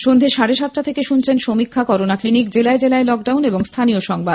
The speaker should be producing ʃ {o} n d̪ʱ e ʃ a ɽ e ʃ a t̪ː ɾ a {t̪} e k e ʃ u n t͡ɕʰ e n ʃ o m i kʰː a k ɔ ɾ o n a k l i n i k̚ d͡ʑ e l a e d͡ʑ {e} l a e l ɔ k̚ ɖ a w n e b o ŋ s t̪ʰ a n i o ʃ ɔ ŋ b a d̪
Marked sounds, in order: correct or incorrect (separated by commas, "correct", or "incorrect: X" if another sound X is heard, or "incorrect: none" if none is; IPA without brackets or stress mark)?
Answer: correct, incorrect: t̪ʰ, correct